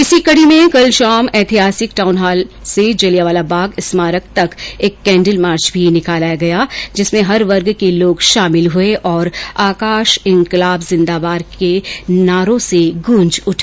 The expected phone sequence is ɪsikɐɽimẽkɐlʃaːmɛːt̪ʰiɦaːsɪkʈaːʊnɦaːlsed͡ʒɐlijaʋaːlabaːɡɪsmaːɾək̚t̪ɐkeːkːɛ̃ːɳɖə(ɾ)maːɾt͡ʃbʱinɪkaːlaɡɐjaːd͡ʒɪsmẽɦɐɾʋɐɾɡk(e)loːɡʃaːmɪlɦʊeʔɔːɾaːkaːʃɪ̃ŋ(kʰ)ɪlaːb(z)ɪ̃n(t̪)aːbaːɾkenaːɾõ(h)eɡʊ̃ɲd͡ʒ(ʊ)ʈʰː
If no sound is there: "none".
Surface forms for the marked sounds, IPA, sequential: l, e, k, z, d̪, s, ʊ

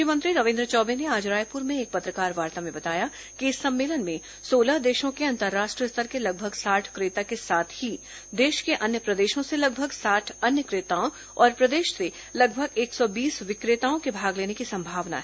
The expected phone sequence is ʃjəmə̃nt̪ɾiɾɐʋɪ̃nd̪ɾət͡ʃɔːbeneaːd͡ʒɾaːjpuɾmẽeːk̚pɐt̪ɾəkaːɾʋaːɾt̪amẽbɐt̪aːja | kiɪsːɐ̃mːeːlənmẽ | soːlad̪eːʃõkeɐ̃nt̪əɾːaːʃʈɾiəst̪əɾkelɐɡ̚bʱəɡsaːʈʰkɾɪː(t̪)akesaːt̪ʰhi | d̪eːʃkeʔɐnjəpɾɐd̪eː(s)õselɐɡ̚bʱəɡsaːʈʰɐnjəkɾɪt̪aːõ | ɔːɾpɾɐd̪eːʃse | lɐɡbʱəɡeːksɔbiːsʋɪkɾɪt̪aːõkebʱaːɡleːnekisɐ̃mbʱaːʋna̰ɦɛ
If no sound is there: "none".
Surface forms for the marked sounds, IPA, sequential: t̪, ʃ

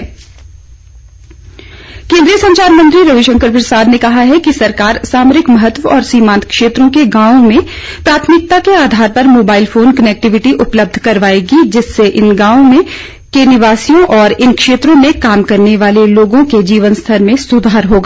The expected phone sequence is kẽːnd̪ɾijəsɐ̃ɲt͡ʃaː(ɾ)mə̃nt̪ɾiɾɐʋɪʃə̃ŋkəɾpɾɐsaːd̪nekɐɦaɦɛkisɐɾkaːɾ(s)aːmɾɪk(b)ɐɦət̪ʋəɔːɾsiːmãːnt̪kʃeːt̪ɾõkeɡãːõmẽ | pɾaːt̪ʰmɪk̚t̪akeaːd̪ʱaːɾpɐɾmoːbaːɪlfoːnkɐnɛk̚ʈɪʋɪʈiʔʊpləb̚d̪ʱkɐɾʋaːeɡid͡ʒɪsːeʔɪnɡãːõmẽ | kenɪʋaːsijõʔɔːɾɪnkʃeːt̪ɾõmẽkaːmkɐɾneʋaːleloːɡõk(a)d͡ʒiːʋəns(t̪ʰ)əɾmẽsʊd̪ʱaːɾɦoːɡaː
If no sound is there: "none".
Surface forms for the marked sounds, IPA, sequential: ɾ, s, m, e, t̪ʰ

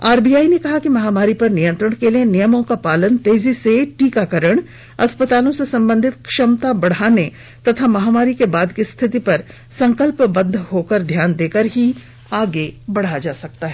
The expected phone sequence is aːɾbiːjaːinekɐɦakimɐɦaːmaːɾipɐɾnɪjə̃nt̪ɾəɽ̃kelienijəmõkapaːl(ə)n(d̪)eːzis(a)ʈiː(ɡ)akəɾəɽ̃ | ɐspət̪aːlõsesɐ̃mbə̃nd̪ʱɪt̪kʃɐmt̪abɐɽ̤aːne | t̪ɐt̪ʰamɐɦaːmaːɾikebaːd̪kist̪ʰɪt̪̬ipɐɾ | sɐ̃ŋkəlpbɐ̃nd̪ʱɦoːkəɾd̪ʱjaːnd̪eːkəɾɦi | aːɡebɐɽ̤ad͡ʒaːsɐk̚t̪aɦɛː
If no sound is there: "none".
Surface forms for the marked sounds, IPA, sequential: ə, t̪, e, k

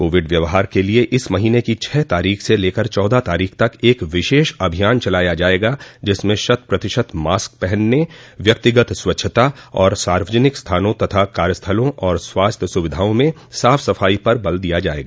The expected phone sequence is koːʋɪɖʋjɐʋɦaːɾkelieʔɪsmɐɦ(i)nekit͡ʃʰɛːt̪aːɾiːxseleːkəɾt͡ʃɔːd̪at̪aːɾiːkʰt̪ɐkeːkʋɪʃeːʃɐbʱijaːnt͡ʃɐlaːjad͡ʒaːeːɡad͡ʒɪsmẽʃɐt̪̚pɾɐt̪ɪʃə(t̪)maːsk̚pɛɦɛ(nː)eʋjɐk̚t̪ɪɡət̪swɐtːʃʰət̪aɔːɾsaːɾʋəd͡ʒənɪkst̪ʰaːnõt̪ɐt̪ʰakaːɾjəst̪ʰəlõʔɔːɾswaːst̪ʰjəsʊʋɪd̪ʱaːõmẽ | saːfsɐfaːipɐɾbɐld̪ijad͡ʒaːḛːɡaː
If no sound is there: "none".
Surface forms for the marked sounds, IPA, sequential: iː, t̪, nː

